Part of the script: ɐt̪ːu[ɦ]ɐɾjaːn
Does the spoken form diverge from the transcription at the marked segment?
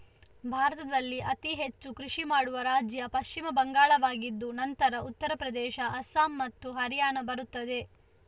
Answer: no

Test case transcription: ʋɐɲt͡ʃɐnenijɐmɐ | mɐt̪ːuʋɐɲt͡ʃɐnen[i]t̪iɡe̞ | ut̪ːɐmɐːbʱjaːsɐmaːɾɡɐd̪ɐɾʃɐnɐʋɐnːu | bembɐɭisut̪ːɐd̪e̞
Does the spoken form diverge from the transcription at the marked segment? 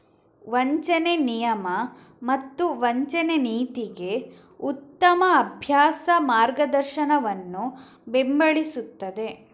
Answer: yes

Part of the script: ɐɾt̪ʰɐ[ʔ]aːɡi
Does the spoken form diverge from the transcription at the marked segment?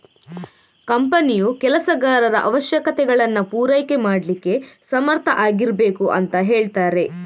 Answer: no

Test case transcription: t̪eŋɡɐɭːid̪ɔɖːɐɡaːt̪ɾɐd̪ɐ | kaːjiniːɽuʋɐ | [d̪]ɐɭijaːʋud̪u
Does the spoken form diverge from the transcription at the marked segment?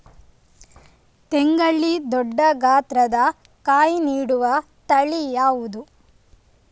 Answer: yes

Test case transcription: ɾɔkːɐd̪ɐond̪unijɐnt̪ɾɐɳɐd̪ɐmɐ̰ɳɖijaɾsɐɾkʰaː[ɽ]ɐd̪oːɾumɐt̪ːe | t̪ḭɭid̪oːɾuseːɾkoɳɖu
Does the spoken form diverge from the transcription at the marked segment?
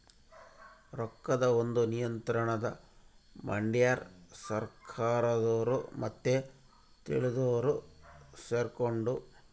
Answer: yes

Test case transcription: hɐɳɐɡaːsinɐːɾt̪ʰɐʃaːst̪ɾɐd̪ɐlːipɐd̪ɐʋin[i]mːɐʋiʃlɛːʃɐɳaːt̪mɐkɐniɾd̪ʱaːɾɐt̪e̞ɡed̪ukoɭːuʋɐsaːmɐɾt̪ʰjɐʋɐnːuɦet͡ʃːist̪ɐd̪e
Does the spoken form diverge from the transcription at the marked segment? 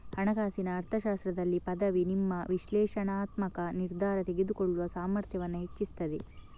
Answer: no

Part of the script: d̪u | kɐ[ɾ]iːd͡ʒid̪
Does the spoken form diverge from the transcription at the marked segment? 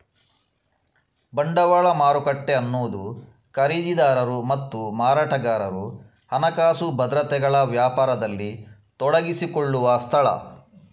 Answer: no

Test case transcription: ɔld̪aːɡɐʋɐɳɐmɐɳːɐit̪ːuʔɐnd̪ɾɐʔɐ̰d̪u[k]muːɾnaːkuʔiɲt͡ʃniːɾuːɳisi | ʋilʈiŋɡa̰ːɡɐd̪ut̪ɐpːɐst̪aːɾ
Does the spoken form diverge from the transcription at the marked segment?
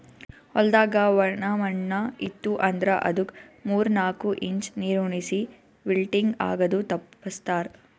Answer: no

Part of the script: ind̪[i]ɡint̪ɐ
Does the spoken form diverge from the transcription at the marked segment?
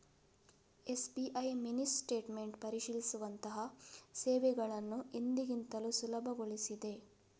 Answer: no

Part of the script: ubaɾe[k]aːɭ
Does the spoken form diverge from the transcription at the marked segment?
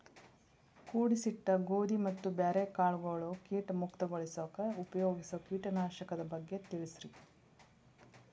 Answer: no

